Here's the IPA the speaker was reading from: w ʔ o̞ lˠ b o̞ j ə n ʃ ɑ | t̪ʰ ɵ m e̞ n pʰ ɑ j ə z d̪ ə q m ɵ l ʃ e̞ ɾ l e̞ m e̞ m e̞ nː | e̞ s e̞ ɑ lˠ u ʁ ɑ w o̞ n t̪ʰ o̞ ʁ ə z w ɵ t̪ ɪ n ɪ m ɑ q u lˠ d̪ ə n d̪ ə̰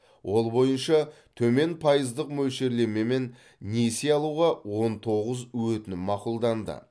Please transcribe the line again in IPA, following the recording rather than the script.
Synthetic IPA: w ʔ o̞ lˠ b o̞ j ə n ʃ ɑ | t̪ʰ ɵ m e̞ n pʰ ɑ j ə z d̪ ə q m ɵ l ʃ e̞ ɾ l e̞ m e̞ m e̞ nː | e̞ s e̞ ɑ lˠ u ʁ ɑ w o̞ n t̪ʰ o̞ ʁ ə z w ɵ t̪ ɪ n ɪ m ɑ q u lˠ d̪ ɑ n d̪ ə̰